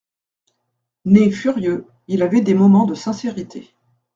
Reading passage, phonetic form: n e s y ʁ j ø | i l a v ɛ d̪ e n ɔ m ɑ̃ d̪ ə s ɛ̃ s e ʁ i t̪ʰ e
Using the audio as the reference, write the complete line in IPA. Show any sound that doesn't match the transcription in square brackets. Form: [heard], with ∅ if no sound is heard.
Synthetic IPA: n e [f] y ʁ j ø | i l a v ɛ d̪ e [m] ɔ m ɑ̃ d̪ ə s ɛ̃ s e ʁ i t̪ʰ e